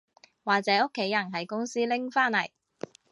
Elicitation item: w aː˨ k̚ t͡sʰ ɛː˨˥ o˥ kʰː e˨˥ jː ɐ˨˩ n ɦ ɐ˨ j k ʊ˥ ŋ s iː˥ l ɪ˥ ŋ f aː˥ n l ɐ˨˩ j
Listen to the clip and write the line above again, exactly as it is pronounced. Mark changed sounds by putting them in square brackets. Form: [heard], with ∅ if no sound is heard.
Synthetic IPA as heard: w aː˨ k̚ [t͡s] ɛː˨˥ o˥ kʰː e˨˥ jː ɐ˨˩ n ɦ ɐ˨ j k ʊ˥ ŋ s iː˥ l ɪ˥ ŋ f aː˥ n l ɐ˨˩ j